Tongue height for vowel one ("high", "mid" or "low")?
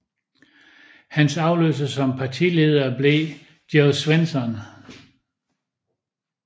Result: low